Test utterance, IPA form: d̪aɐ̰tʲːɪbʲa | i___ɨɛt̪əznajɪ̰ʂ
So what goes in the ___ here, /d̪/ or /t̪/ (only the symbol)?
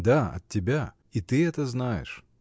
t̪